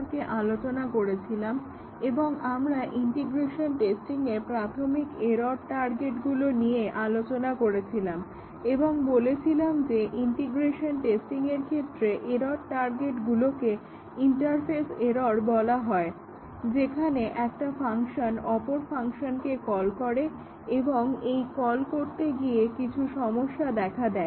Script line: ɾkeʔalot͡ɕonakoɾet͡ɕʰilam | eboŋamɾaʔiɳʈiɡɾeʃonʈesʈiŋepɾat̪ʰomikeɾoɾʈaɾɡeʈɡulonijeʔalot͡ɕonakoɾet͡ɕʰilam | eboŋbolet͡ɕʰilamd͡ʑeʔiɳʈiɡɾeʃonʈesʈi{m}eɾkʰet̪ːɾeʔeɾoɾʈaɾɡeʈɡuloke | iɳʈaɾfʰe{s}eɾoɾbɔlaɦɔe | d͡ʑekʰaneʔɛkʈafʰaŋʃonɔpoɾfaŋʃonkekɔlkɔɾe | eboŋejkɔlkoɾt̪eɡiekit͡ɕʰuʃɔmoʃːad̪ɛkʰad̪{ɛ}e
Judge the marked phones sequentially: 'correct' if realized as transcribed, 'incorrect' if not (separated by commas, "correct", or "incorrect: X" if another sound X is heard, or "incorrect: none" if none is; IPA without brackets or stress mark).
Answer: incorrect: ŋ, correct, correct